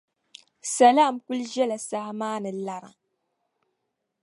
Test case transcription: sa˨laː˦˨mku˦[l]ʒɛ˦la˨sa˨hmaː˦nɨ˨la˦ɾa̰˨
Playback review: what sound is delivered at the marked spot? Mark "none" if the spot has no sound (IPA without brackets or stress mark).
l